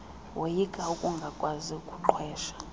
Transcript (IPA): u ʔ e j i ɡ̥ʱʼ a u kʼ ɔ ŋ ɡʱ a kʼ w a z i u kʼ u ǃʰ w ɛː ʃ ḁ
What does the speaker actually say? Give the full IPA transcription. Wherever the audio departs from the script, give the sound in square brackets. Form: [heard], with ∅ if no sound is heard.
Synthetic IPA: [w] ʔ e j i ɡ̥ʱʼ a u kʼ [u] ŋ ɡʱ a kʼ w a z i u kʼ u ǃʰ w ɛː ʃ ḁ